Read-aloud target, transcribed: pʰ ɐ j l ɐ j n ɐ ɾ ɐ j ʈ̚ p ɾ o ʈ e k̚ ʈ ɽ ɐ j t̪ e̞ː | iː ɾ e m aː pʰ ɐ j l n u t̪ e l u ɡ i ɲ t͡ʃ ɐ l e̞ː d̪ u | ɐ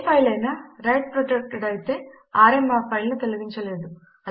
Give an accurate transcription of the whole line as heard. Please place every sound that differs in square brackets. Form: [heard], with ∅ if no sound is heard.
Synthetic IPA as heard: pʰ ɐ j l ɐ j n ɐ ɾ ɐ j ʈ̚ p ɾ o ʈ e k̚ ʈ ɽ ɐ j t̪ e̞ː | [aː] ɾ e m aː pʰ ɐ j l n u t̪ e l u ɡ i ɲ t͡ʃ ɐ l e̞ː d̪ u | ɐ

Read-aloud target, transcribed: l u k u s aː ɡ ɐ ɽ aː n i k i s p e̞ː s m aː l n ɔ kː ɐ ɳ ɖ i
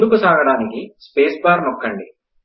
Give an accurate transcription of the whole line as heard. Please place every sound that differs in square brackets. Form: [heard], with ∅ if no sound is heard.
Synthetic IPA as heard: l u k u s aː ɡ ɐ ɽ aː n i k i s p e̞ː s [b] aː [ɾ] n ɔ kː ɐ ɳ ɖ i

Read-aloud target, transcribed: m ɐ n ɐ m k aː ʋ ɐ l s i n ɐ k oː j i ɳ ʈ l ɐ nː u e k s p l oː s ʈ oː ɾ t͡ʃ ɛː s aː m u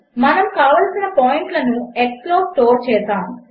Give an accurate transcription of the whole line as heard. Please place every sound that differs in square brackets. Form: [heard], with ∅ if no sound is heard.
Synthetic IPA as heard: m ɐ n ɐ m k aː ʋ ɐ l s i n ɐ [p] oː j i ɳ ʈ l ɐ [n] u e k s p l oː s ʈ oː ɾ t͡ʃ ɛː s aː m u

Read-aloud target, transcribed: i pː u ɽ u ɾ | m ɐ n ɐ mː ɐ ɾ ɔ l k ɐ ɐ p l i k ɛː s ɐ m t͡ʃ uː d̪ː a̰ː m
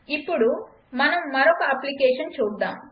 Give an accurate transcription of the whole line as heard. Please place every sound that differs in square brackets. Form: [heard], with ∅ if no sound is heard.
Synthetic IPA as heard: i pː u ɽ u [∅] | m ɐ n ɐ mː ɐ ɾ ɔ [∅] k ɐ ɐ p l i k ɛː [ʂ] ɐ [n] t͡ʃ uː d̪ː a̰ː m

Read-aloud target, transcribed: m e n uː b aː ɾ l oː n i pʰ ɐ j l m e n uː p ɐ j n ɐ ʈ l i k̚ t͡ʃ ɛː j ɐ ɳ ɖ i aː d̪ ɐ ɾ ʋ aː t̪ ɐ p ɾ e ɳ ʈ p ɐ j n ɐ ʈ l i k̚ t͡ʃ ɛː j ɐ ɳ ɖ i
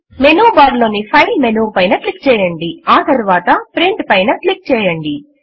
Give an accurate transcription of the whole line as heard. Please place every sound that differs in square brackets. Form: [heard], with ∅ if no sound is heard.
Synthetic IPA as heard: m e n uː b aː ɾ l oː n i pʰ ɐ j l m e n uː p ɐ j n ɐ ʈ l i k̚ t͡ʃ ɛː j ɐ ɳ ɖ i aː [t̪] ɐ ɾ ʋ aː t̪ ɐ p ɾ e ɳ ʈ p ɐ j n ɐ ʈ l i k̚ t͡ʃ ɛː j ɐ ɳ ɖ i

